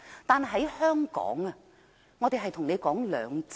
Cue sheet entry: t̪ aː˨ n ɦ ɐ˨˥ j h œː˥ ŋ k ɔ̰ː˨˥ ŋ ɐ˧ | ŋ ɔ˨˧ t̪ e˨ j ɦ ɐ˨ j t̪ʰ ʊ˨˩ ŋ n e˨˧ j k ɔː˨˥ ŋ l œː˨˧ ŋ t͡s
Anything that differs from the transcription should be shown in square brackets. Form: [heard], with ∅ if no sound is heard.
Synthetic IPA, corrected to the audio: t̪ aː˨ n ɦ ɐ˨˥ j h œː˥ ŋ k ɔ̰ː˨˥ ŋ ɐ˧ | ŋ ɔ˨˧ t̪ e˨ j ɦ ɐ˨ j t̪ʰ ʊ˨˩ ŋ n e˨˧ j k ɔː˨˥ ŋ l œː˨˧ ŋ t͡s